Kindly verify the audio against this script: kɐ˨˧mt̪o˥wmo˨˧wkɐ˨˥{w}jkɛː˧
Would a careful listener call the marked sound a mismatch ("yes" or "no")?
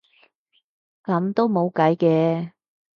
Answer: yes